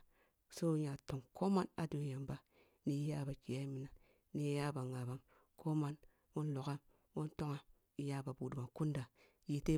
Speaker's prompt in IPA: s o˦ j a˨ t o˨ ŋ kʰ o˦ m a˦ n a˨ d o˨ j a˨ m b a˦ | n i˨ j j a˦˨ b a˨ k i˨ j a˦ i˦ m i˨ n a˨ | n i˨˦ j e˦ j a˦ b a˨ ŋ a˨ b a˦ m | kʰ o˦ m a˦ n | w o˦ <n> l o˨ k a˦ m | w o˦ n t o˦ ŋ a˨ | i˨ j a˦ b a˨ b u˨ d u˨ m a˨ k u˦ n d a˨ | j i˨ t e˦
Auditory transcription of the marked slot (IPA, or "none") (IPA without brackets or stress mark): n